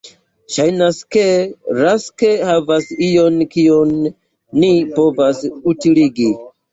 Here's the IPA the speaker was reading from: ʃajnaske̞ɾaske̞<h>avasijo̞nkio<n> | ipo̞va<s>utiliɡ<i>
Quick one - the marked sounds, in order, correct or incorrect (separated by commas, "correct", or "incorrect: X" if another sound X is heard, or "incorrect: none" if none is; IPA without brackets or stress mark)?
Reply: correct, incorrect: nː, correct, correct